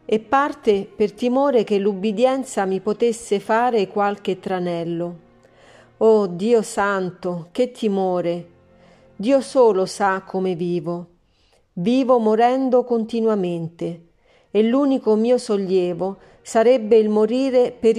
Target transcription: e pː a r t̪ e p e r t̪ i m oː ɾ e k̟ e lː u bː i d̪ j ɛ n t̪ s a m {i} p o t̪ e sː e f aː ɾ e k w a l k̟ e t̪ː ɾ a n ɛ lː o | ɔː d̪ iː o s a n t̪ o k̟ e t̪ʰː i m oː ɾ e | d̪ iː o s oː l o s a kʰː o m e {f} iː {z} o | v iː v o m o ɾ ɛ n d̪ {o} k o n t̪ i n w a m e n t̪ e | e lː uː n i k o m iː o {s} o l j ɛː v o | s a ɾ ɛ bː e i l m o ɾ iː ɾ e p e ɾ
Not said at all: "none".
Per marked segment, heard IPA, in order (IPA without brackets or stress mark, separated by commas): i, v, v, o, s